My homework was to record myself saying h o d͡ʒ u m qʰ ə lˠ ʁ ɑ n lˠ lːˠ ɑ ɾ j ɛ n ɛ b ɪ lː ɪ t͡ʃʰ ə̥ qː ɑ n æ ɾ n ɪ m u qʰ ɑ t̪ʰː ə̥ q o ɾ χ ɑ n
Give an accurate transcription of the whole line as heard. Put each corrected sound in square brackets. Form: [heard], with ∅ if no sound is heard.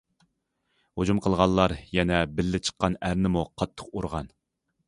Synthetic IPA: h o d͡ʒ u m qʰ ə lˠ ʁ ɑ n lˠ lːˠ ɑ ɾ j ɛ n ɛ b ɪ lː ɪ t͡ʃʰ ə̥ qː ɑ n æ ɾ n ɪ m u qʰ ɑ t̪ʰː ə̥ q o ɾ [ʁ] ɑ n